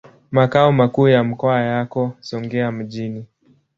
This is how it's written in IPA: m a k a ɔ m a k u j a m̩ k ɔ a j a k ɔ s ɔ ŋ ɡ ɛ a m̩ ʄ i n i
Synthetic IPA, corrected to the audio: m a k a ɔ m a k uː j a m̩ k ɔ a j a k ɔ s ɔ ŋ ɡ ɛ a m̩ ʄ i n i